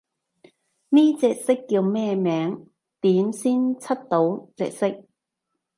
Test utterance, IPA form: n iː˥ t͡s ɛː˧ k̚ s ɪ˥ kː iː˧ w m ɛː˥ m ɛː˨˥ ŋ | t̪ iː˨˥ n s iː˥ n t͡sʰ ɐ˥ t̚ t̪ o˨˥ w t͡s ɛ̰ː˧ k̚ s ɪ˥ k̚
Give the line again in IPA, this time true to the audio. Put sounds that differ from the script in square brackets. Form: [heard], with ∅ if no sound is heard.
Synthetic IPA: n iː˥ t͡s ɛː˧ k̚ s ɪ˥ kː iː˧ w m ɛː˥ m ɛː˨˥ ŋ | t̪ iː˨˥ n s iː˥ n t͡sʰ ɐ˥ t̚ t̪ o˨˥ w t͡s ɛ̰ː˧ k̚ s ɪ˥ k̚